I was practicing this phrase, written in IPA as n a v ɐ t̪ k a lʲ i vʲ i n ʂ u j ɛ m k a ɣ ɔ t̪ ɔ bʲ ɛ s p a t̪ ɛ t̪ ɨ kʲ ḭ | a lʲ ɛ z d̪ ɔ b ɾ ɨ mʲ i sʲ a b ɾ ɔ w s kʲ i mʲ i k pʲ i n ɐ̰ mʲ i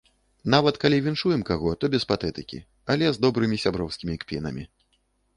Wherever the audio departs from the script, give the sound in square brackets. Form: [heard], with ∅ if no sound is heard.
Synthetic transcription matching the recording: n a v ɐ t̪ k a lʲ i vʲ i n ʂ u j ɛ m k a ɣ ɔ t̪ ɔ bʲ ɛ s p a t̪ ɛ t̪ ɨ kʲ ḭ | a lʲ ɛ z d̪ ɔ b ɾ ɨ mʲ i sʲ a b ɾ ɔ w s kʲ i mʲ i k pʲ i n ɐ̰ mʲ i